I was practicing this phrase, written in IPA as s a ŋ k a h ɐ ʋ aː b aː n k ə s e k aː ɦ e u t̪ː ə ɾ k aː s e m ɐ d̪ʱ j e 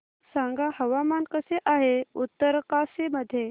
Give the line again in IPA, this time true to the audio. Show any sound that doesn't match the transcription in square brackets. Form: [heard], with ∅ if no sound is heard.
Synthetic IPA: s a ŋ [ɡ] a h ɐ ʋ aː [m] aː n k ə s e [ʔ] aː ɦ e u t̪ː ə ɾ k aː s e m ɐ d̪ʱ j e